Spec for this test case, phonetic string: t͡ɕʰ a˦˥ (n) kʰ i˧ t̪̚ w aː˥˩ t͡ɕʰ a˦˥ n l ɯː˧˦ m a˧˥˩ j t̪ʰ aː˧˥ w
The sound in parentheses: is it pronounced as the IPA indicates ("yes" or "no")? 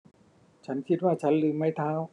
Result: yes